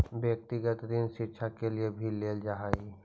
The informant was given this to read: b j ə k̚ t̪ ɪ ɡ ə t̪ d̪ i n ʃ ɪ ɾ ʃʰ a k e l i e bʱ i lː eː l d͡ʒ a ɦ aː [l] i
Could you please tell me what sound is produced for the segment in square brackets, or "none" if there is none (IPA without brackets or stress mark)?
none